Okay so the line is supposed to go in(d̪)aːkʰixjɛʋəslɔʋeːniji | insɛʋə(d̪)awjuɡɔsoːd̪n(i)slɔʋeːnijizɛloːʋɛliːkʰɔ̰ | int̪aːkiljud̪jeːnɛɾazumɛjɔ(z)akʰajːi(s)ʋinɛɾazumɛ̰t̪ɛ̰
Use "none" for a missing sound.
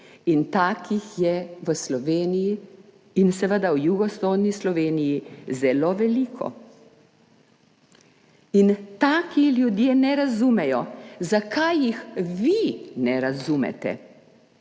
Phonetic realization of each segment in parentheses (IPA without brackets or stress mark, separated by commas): t̪, d̪, i, z, x